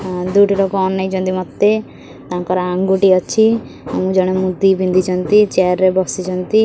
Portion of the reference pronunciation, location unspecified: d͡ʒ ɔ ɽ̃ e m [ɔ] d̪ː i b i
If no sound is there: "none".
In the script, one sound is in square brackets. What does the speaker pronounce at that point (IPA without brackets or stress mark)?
u